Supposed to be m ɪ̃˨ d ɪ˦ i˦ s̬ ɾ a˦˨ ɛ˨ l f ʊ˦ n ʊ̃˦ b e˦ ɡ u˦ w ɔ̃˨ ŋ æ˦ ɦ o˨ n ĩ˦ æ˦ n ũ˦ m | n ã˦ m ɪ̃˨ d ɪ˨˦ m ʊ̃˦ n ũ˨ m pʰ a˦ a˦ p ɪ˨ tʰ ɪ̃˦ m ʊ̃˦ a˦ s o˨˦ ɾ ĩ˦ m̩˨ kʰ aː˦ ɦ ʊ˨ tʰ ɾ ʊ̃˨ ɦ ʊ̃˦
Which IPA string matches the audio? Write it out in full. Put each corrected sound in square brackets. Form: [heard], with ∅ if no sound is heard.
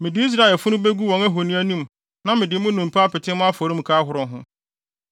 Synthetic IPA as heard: m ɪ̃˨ d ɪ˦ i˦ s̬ ɾ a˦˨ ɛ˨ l f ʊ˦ n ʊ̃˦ b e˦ ɡ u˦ w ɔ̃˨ ŋ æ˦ ɦ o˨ n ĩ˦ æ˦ n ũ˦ m | n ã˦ m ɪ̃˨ d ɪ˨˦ m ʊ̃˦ n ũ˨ m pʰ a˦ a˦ p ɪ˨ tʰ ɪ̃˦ m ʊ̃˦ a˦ [f] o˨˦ ɾ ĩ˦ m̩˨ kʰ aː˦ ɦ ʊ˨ [∅] ɾ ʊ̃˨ ɦ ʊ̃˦